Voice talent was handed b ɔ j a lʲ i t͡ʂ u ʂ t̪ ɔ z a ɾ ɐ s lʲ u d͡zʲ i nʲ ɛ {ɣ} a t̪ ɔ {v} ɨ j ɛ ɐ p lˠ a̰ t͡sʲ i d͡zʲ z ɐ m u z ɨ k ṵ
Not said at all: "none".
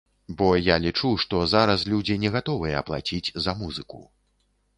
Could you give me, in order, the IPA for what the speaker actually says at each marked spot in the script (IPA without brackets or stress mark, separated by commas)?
ɣ, v